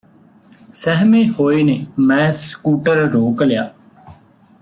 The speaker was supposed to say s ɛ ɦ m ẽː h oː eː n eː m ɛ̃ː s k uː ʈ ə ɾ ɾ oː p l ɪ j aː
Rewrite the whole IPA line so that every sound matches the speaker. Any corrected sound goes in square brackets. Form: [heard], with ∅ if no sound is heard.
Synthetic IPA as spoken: s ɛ ɦ m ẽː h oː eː n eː m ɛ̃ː s k uː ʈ ə ɾ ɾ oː [k] l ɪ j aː